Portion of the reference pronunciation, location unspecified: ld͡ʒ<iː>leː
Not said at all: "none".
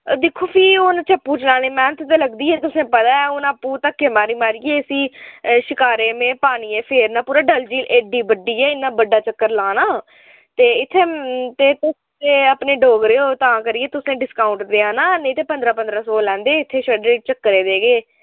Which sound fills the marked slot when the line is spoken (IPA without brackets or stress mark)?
iː